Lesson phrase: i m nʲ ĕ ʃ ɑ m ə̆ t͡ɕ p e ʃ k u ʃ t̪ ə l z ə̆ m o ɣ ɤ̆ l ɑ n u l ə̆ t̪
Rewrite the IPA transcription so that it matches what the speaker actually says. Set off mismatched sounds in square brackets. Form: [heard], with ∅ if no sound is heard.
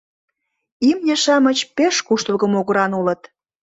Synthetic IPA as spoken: i m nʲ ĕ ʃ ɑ m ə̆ t͡ɕ p e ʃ k u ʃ t̪ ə l [ɣ] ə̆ m o ɣ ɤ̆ [ɾ] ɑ n u l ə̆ t̪